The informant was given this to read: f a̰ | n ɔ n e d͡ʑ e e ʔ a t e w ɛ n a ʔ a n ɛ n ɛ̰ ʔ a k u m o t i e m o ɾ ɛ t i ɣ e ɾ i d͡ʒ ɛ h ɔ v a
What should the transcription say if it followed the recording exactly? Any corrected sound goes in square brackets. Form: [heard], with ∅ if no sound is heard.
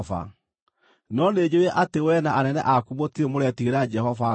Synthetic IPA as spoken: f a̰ | n ɔ n e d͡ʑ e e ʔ a t e w ɛ n a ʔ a n ɛ n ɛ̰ ʔ a k u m o t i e m o ɾ ɛ t i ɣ e ɾ [a] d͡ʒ ɛ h ɔ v a